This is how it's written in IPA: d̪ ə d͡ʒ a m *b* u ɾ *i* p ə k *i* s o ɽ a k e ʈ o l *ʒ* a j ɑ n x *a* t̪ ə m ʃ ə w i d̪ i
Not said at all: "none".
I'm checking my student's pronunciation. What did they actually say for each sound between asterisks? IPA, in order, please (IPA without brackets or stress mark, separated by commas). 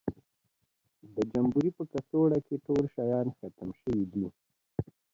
b, i, a, ʃ, a